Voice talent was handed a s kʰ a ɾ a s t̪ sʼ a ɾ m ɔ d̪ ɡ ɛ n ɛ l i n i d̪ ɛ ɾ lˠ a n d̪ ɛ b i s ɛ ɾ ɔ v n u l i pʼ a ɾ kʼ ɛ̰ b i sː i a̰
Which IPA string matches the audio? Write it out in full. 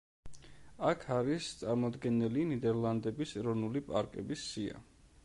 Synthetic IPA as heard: a kʰ a ɾ i s t̪ sʼ a ɾ m ɔ d̪ ɡ ɛ n ɛ l i n i d̪ ɛ ɾ lˠ a n d̪ ɛ b i s ɛ ɾ ɔ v n u l i pʼ a ɾ kʼ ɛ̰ b i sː i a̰

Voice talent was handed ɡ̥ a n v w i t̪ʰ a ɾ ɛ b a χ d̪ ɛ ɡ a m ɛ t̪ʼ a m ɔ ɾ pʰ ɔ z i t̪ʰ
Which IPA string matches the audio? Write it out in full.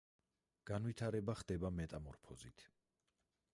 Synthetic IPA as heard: ɡ̥ a n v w i t̪ʰ a ɾ ɛ b a χ d̪ ɛ b a m ɛ t̪ʼ a m ɔ ɾ pʰ ɔ z i t̪ʰ

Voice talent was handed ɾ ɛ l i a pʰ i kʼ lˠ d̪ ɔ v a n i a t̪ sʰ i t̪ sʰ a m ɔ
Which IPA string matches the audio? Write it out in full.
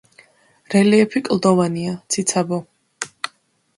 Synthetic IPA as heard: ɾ ɛ l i ɛ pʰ i kʼ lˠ d̪ ɔ v a n i a t̪ sʰ i t̪ sʰ a b ɔ

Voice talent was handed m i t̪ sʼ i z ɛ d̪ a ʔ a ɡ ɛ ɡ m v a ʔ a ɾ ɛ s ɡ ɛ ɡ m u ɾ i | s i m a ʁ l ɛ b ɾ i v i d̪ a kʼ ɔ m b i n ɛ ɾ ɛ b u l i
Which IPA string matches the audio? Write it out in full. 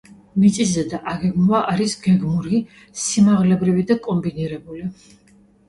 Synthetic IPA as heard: m i t̪ sʼ i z ɛ d̪ a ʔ a ɡ ɛ ɡ m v a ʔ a ɾ i s ɡ ɛ ɡ m u ɾ i | s i m a ʁ l ɛ b ɾ i v i d̪ a kʼ ɔ m b i n i ɾ ɛ b u l i

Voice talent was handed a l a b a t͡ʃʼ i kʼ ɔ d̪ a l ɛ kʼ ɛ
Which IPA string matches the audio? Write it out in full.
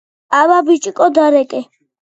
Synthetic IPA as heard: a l a b i t͡ʃʼ i kʼ ɔ d̪ a ɾ ɛ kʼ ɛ

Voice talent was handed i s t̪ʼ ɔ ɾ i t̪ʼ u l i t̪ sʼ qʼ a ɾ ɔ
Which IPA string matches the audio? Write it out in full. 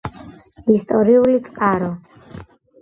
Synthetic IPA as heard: i s t̪ʼ ɔ ɾ i u l i t̪ sʼ qʼ a ɾ ɔ

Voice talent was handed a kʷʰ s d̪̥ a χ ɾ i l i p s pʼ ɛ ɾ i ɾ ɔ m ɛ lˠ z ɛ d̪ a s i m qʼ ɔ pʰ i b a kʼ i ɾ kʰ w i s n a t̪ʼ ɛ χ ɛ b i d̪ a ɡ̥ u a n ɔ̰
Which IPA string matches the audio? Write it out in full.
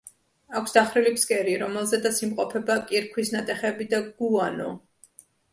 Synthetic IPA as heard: a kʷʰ s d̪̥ a χ ɾ i l i p s kʼ ɛ ɾ i ɾ ɔ m ɛ lˠ z ɛ d̪ a s i m qʼ ɔ pʰ ɛ b a kʼ i ɾ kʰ w i s n a t̪ʼ ɛ χ ɛ b i d̪ a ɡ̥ u a n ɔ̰

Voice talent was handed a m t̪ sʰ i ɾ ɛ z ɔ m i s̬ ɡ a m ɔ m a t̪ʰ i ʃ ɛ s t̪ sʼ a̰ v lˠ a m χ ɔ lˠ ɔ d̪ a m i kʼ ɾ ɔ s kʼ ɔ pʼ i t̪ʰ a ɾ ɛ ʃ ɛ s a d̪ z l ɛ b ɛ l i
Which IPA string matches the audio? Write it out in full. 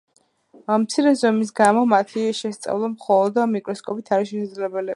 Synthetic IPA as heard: a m t̪ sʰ i ɾ ɛ z ɔ m i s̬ ɡ a m ɔ m a t̪ʰ i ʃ ɛ s t̪ sʼ a̰ v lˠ a m χ ɔ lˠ ɔ d̪ a m i kʼ ɾ ɔ s kʼ ɔ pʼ i t̪ʰ a ɾ i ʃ ɛ s a d̪ z l ɛ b ɛ l i

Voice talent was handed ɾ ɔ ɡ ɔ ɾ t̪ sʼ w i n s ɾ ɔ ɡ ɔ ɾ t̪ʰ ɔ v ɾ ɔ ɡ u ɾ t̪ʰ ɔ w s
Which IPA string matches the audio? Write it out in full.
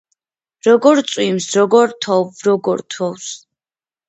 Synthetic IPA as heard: ɾ ɔ ɡ ɔ ɾ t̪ sʼ w i m s ɾ ɔ ɡ ɔ ɾ t̪ʰ ɔ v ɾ ɔ ɡ ɔ ɾ t̪ʰ ɔ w s

